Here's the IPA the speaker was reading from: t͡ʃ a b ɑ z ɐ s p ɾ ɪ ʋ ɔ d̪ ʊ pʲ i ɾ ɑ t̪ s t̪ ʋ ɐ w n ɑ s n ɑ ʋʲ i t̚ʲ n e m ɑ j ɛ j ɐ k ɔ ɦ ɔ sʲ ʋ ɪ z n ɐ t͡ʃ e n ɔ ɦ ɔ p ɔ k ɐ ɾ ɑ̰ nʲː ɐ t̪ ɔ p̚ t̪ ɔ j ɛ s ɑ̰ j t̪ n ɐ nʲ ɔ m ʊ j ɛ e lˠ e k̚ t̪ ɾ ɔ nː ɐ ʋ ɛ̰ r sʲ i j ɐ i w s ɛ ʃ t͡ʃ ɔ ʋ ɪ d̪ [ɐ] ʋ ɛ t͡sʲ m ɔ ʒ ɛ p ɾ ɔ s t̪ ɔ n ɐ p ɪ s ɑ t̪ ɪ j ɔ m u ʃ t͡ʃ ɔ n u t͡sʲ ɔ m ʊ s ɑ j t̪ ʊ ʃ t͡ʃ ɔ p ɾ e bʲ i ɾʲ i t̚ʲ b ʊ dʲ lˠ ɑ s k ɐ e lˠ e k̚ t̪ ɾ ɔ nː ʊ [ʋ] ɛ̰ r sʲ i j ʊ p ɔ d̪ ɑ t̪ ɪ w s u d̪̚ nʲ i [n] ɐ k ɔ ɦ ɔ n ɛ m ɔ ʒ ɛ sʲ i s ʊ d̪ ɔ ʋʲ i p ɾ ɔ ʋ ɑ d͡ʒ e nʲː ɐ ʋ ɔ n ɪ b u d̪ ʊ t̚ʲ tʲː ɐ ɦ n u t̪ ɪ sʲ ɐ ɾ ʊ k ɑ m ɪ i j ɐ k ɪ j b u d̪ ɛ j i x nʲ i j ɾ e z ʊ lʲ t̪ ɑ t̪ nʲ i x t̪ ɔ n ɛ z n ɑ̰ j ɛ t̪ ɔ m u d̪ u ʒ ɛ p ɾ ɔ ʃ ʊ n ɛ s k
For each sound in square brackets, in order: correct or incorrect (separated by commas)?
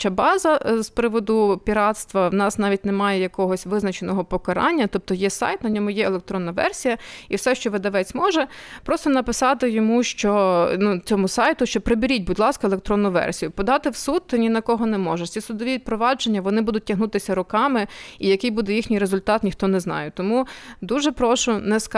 correct, correct, correct